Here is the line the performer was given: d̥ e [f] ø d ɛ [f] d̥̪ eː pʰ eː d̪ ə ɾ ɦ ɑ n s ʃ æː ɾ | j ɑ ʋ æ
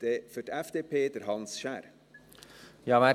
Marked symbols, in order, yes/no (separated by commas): yes, yes